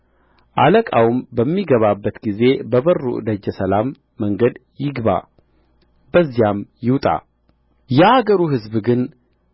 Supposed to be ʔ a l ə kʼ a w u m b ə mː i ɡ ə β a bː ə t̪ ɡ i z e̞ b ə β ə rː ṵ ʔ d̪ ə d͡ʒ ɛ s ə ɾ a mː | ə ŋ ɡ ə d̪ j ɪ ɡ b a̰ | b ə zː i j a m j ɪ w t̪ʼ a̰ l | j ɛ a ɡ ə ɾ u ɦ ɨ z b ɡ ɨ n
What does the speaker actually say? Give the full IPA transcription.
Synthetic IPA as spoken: ʔ a l ə kʼ a w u m b ə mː i ɡ ə β a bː ə t̪ ɡ i z e̞ b ə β ə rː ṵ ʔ d̪ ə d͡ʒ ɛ s ə l a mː | ə ŋ ɡ ə d̪ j ɪ ɡ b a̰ | b ə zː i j a m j ɪ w t̪ʼ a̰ | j ɛ a ɡ ə ɾ u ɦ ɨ z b ɡ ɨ n